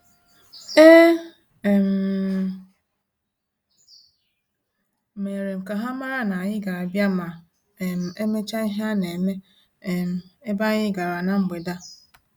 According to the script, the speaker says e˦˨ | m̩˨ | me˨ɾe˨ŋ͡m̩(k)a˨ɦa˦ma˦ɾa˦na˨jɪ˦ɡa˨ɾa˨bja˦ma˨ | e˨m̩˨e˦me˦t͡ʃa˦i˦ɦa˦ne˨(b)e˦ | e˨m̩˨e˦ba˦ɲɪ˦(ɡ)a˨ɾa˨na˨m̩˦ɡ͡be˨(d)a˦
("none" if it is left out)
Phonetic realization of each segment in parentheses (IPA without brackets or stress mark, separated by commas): k, m, ɡ, d